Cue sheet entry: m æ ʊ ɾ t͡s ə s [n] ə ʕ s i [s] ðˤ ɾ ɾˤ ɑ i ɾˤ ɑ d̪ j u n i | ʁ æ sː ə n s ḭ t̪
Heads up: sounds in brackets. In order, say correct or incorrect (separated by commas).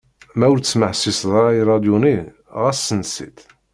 incorrect, correct